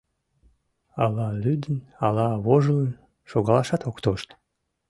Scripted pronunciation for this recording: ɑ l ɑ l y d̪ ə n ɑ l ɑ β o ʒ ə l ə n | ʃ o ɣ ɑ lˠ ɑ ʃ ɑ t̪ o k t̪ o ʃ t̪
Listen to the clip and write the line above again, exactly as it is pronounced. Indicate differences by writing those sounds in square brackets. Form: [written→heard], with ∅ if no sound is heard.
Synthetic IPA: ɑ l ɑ l y d̪ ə n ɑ l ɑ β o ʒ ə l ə n | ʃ o ɣ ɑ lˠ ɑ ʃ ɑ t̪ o k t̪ o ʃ t̪